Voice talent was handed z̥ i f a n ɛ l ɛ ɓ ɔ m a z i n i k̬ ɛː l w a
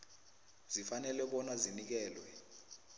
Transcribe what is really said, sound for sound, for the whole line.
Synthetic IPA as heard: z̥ i f a n ɛ l ɛ ɓ ɔ n a z i n i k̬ ɛː l w ɛ